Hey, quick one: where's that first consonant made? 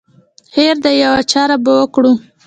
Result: throat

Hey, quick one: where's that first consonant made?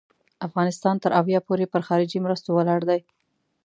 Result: lips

